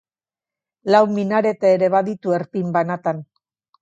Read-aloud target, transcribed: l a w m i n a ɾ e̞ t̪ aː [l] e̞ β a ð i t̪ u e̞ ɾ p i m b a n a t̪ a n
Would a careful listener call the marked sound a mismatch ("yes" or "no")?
yes